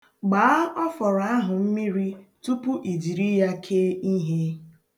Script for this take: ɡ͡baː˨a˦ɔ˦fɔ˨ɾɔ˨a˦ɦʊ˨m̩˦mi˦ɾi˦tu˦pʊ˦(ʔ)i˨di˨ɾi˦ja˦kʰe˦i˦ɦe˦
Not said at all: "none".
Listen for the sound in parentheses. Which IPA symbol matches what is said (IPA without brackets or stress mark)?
ʔ